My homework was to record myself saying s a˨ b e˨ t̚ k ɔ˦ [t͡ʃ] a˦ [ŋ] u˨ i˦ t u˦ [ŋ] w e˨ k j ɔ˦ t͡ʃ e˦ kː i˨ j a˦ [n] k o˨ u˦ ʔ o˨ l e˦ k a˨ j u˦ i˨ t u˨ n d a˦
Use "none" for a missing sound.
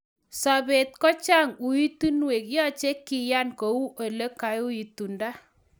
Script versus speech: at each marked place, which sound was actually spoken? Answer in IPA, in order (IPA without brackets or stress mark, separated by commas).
t͡ʃ, ŋ, n, n